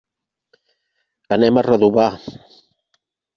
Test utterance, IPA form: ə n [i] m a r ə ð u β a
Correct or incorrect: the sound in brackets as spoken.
incorrect: ɛ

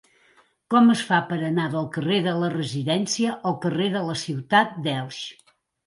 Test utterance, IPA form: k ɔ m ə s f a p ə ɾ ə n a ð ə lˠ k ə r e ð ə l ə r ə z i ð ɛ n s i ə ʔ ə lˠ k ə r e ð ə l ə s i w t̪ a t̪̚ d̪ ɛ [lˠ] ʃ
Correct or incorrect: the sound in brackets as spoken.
correct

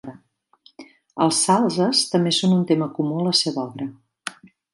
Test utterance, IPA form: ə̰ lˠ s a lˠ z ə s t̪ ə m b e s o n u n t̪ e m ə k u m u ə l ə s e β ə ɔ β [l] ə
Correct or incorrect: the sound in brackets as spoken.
incorrect: ɾ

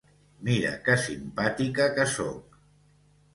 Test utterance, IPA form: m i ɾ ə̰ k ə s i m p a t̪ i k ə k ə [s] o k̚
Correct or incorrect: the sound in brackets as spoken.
correct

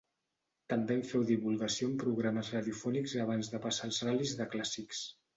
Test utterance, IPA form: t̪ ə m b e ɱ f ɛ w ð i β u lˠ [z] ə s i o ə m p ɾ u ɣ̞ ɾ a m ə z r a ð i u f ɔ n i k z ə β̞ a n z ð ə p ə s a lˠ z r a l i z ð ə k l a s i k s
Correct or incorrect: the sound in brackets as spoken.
incorrect: ɣ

